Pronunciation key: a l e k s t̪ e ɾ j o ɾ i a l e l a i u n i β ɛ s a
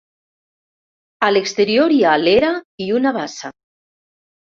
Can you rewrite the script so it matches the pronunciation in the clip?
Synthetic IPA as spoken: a l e k s t̪ e ɾ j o ɾ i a l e ɾ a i u n a β a s a